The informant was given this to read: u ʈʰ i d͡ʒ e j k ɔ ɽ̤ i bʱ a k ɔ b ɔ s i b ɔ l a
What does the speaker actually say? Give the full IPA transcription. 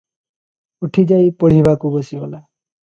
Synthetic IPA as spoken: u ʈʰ i d͡ʒ a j p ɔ ɽ̤ i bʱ a k u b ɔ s i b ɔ l a